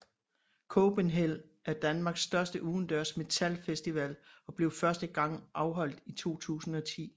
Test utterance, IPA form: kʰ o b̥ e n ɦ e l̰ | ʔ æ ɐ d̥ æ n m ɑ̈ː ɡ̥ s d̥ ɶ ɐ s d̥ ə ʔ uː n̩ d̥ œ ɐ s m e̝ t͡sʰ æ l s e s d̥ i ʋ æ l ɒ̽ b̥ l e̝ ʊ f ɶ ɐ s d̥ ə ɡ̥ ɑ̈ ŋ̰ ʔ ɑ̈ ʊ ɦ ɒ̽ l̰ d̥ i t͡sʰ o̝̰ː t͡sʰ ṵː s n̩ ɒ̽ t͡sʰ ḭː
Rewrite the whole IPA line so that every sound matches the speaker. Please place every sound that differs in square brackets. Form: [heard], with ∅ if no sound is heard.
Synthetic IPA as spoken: kʰ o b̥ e n ɦ e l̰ | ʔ æ ɐ d̥ æ n m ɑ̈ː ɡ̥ s d̥ ɶ ɐ s d̥ ə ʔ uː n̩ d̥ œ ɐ s m e̝ t͡sʰ æ l [f] e s d̥ i ʋ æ l ɒ̽ b̥ l e̝ ʊ f ɶ ɐ s d̥ ə ɡ̥ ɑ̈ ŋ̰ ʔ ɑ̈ ʊ ɦ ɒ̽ l̰ d̥ i t͡sʰ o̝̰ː t͡sʰ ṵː s n̩ ɒ̽ t͡sʰ ḭː